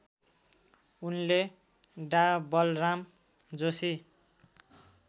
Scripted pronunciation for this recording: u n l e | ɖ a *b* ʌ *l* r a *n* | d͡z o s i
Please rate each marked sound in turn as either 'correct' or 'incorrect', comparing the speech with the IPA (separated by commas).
correct, correct, incorrect